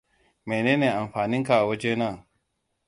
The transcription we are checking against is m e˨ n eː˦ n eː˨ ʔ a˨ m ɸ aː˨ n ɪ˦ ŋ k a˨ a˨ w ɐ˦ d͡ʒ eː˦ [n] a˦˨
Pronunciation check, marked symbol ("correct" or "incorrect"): correct